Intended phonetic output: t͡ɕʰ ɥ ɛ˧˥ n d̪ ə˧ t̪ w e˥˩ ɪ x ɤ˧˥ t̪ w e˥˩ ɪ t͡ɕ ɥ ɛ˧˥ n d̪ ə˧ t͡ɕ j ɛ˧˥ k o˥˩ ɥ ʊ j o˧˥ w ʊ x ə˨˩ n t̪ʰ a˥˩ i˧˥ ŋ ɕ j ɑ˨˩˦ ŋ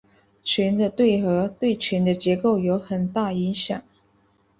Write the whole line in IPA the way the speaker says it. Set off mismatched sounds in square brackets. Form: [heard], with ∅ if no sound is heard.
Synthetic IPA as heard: t͡ɕʰ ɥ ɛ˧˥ n d̪ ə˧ t̪ w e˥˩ ɪ x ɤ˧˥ t̪ w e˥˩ ɪ [t͡ɕʰ] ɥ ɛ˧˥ n d̪ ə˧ t͡ɕ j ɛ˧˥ k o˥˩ [∅] ʊ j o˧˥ [∅] ʊ x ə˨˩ n [t̪] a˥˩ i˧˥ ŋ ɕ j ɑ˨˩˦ ŋ